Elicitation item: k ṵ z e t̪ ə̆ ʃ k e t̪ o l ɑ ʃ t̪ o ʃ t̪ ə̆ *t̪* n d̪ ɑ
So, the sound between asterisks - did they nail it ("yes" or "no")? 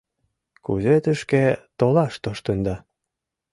no